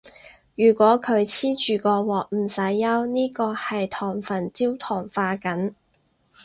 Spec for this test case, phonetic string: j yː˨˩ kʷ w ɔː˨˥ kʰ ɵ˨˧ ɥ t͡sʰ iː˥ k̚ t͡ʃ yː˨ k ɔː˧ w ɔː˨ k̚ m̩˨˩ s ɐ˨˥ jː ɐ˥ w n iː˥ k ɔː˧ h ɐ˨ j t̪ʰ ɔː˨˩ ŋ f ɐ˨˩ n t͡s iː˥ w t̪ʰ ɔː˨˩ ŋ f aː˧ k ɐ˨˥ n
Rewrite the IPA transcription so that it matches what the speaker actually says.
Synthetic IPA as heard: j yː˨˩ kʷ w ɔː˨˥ kʰ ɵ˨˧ ɥ t͡sʰ iː˥ t͡ʃ yː˨ k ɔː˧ w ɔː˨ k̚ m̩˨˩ s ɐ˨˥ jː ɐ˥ w n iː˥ k ɔː˧ h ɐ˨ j t̪ʰ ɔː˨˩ ŋ f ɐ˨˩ n t͡s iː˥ w t̪ʰ ɔː˨˩ ŋ f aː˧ k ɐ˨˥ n